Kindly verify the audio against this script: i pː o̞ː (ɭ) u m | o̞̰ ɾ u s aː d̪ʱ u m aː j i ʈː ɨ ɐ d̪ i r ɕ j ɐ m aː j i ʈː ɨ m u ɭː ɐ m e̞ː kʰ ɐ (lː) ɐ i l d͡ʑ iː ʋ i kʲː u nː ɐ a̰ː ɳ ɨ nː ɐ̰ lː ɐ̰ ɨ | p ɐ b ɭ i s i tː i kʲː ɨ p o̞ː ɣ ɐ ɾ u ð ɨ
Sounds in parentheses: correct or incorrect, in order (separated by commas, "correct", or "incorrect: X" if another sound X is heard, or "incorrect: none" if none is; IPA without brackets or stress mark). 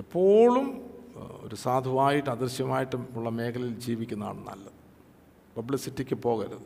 correct, incorrect: l